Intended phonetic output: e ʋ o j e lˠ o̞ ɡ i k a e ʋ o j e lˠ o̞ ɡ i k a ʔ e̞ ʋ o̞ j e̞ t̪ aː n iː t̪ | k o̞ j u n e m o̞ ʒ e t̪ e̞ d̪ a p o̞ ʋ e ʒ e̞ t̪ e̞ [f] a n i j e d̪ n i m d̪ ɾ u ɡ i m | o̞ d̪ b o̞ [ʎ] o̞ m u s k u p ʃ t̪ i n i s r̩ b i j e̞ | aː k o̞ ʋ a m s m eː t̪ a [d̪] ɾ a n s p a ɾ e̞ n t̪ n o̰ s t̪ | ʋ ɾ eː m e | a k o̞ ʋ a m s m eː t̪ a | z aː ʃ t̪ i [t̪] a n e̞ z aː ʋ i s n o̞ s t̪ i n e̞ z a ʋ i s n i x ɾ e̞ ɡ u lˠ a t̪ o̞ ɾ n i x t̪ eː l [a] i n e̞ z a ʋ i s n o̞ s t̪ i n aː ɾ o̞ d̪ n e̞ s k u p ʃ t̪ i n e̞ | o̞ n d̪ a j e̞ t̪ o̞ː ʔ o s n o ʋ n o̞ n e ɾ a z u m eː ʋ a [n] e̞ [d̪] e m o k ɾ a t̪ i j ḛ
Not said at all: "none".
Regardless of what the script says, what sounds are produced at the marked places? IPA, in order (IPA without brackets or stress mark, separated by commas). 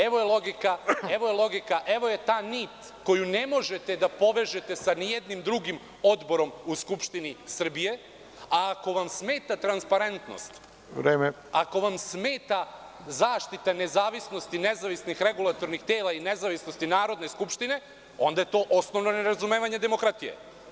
s, ɾ, t̪, t̪, a, ɲ, d̪